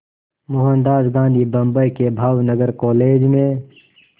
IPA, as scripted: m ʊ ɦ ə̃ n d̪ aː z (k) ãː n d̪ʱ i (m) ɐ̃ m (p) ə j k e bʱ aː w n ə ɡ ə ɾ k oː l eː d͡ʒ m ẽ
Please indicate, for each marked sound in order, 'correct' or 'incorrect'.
incorrect: ɡ, incorrect: b, incorrect: b

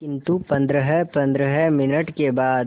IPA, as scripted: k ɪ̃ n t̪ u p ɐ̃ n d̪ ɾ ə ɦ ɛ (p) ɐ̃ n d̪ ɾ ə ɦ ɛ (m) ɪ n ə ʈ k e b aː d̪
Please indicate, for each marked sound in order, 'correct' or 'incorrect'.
correct, correct

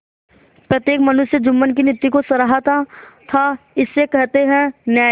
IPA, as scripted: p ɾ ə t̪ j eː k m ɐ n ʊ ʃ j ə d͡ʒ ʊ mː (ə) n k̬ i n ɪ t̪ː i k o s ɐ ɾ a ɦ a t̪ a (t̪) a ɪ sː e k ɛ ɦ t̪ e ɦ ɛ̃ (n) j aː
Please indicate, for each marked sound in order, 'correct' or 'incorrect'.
correct, incorrect: t̪ʰ, correct

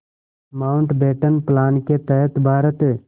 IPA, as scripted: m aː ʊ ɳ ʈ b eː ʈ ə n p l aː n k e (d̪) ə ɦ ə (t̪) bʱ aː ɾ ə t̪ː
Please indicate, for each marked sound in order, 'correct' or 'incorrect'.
incorrect: t̪, correct

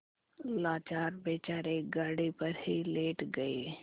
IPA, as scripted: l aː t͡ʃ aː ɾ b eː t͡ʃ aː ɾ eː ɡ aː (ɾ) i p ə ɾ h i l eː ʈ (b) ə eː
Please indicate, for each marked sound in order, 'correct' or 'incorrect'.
incorrect: ɽ, incorrect: ɡ

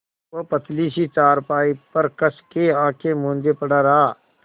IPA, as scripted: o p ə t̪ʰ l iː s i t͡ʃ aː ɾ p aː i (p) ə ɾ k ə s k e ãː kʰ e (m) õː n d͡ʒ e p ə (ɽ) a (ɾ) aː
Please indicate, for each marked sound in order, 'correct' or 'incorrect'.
correct, correct, correct, correct

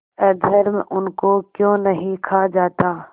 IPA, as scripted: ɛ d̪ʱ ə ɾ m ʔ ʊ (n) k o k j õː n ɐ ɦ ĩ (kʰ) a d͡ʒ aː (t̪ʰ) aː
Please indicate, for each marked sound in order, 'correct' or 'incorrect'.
correct, correct, incorrect: t̪

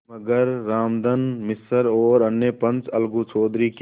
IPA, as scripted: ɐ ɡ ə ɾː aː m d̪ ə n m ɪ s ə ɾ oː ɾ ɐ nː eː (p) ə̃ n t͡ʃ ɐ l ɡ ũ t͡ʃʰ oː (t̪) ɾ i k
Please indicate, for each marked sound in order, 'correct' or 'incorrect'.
correct, incorrect: d̪

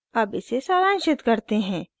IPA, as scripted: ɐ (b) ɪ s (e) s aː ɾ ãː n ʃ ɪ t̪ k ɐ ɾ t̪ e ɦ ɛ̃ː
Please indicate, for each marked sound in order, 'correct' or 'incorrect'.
correct, correct

